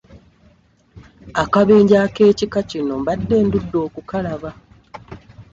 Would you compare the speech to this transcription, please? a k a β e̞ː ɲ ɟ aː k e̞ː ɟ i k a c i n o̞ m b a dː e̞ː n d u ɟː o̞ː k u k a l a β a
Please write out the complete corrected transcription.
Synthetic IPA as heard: a k a β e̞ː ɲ ɟ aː k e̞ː c i k a c i n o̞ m b a dː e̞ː n d u dː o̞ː k u k a l a β a